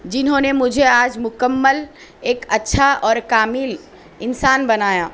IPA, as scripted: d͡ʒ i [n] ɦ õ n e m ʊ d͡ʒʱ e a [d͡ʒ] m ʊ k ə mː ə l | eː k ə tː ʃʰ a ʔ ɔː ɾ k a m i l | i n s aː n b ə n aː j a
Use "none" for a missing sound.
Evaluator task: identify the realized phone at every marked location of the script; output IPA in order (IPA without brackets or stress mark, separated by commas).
n, d͡ʒ